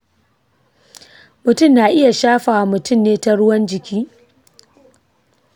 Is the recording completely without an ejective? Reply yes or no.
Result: yes